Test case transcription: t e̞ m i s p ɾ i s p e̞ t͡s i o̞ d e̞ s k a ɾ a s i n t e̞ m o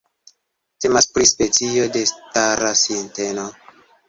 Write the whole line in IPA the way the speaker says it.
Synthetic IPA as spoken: t e̞ m a s p ɾ i s p e̞ t͡s i o̞ d e̞ s t a ɾ a s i n t e̞ n o